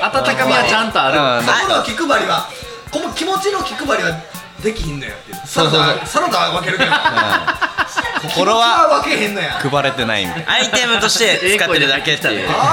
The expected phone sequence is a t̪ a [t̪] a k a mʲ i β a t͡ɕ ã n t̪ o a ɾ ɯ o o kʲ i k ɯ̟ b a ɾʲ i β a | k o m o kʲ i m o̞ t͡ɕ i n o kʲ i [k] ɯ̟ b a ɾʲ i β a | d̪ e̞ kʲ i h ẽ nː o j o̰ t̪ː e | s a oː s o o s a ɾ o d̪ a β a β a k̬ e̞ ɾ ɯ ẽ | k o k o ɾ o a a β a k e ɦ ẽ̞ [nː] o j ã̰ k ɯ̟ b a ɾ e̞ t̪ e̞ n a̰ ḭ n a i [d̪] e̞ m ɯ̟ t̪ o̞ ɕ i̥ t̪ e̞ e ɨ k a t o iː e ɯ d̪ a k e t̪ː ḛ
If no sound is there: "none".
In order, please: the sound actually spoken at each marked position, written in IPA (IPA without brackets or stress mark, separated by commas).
t̪, k, nː, t̪